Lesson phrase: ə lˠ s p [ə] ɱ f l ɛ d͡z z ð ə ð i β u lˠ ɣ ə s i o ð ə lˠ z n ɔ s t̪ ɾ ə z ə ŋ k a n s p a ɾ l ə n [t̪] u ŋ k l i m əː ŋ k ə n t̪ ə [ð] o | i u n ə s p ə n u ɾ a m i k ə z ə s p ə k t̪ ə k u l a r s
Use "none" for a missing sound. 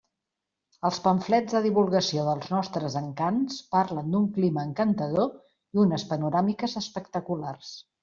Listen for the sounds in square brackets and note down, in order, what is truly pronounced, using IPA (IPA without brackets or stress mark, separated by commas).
ə, d̪, ð